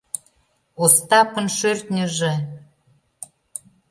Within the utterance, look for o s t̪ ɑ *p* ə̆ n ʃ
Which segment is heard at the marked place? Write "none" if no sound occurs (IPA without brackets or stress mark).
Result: p